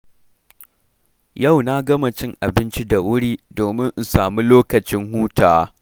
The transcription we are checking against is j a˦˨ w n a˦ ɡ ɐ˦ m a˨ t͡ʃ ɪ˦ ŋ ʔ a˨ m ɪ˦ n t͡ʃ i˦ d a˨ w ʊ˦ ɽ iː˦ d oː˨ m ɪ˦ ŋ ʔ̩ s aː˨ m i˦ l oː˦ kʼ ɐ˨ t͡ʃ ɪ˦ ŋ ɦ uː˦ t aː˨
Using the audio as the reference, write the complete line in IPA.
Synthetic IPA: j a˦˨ w n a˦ ɡ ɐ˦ m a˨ t͡ʃ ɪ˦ ŋ ʔ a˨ b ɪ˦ n t͡ʃ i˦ d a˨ w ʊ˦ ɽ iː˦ d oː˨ m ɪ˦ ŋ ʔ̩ s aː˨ m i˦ l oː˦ k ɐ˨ t͡ʃ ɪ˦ ŋ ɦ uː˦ t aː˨